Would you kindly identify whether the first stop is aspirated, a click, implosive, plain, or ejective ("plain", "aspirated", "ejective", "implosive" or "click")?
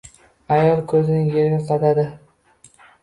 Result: aspirated